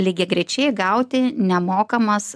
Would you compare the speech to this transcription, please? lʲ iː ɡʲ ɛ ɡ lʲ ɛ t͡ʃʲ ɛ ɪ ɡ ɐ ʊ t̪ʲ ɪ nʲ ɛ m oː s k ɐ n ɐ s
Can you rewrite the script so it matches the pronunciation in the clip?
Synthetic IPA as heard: lʲ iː ɡʲ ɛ ɡ ɾʲ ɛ t͡ʃʲ ɛ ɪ ɡ ɐ ʊ t̪ʲ ɪ nʲ ɛ m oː k ɐ m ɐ s